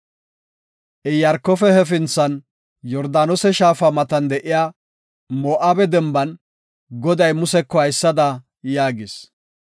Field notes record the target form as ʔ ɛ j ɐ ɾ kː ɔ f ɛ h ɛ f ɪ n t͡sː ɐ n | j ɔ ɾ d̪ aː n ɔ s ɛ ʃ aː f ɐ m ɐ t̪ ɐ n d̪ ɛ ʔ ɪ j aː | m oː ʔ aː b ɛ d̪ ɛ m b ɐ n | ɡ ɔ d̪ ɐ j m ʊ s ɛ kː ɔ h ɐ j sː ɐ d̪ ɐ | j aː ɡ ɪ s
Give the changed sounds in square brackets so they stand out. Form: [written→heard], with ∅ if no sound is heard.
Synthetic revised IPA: ʔ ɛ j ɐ ɾ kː ɔ f ɛ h ɛ f ɪ n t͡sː ɐ n | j ɔ ɾ d̪ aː n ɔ s ɛ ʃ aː f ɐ m ɐ t̪ ɐ n d̪ ɛ ʔ ɪ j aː | m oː ʔ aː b ɛ d̪ ɛ m b ɐ n | ɡ ɔ d̪ ɐ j m ʊ s ɛ kː ɔ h ɐ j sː ɐ d̪ ɐ | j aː ɡ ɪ s

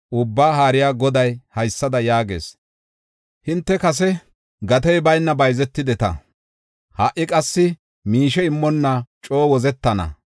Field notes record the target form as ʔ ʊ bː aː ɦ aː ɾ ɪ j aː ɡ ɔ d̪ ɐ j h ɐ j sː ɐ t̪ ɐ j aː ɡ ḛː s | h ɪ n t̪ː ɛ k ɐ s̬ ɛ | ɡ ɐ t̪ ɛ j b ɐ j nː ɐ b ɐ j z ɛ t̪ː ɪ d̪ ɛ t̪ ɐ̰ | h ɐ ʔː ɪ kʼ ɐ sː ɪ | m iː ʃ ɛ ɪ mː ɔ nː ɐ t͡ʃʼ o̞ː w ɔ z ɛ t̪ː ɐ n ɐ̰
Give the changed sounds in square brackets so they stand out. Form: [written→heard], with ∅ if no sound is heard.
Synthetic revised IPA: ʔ ʊ bː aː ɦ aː ɾ ɪ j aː ɡ ɔ d̪ ɐ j h ɐ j sː ɐ [t̪→d̪] ɐ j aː ɡ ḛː s | h ɪ n t̪ː ɛ k ɐ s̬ ɛ | ɡ ɐ t̪ ɛ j b ɐ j nː ɐ b ɐ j z ɛ t̪ː ɪ d̪ ɛ t̪ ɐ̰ | h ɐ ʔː ɪ kʼ ɐ sː ɪ | m iː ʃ ɛ ɪ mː ɔ nː ɐ t͡ʃʼ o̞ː w ɔ z ɛ t̪ː ɐ n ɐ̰

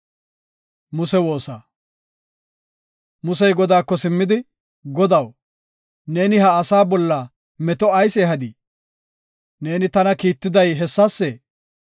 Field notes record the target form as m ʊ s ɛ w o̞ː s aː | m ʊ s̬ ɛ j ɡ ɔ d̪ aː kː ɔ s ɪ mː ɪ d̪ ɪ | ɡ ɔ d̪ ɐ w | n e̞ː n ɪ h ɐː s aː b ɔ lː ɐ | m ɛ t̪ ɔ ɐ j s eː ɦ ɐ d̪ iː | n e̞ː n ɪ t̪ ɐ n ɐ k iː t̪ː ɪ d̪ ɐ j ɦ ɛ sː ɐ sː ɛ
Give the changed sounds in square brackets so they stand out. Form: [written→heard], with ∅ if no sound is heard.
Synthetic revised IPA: m ʊ s ɛ w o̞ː s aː | m ʊ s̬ ɛ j ɡ ɔ d̪ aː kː ɔ s ɪ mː ɪ d̪ ɪ | ɡ ɔ d̪ ɐ w | n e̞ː n ɪ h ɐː s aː b ɔ lː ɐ | m ɛ t̪ ɔ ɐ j s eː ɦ ɐ d̪ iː | n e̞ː n ɪ t̪ ɐ n ɐ k iː t̪ː ɪ d̪ ɐ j ɦ ɛ sː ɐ sː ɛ

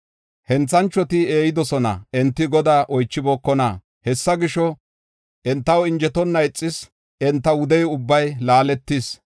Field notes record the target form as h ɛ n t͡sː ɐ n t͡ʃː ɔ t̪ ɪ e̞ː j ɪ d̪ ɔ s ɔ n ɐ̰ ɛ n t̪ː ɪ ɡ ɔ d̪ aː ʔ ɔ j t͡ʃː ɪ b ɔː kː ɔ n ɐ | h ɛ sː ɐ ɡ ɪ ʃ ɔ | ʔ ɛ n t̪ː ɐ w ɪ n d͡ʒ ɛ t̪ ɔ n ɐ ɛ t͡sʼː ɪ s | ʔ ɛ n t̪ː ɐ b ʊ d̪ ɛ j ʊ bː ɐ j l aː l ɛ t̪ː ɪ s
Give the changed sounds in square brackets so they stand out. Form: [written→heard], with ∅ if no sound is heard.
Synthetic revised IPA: h ɛ n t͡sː ɐ n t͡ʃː ɔ t̪ ɪ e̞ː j ɪ d̪ ɔ s ɔ n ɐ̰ ɛ n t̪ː ɪ ɡ ɔ d̪ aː ʔ ɔ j t͡ʃː ɪ b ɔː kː ɔ n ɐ | h ɛ sː ɐ ɡ ɪ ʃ ɔ | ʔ ɛ n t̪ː ɐ w ɪ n d͡ʒ ɛ t̪ ɔ [n→nː] ɐ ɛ t͡sʼː ɪ s | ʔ ɛ n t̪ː ɐ [b→w] ʊ d̪ ɛ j ʊ bː ɐ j l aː l ɛ t̪ː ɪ s

